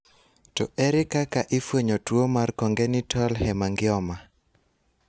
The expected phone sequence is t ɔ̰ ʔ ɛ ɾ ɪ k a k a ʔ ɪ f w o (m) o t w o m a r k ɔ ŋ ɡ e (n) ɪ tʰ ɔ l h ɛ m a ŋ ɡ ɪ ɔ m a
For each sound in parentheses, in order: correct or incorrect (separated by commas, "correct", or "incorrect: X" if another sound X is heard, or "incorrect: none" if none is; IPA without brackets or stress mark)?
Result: incorrect: ɲ, correct